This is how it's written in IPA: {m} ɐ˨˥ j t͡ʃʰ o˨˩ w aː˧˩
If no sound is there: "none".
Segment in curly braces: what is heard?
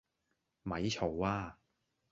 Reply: m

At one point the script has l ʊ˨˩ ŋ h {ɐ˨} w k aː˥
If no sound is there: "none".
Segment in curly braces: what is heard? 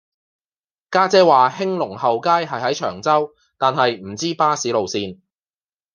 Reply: ɐ˨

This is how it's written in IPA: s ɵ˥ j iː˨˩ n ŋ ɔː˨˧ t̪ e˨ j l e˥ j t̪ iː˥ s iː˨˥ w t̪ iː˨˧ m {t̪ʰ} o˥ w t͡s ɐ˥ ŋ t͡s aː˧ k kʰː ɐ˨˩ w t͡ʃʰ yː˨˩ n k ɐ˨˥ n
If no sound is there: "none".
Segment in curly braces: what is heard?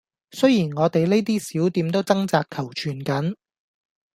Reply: t̪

